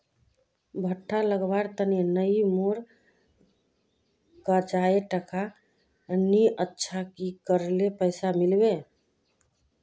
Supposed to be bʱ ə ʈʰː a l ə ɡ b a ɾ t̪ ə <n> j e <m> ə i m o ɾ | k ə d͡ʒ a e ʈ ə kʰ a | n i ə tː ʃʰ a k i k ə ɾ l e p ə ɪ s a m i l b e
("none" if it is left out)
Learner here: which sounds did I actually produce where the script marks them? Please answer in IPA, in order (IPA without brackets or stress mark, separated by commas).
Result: n, n